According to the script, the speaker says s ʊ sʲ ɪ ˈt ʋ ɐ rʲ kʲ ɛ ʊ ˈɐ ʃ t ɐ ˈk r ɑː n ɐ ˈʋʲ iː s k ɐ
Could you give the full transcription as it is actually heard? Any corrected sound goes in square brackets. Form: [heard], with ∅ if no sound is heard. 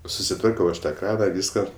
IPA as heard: s ʊ sʲ ɪ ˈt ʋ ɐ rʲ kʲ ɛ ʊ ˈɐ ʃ t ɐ ˈk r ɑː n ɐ ˈʋʲ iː s k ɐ